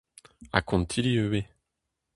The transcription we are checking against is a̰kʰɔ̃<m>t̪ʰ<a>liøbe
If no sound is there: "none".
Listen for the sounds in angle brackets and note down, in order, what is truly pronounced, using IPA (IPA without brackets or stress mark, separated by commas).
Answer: n, i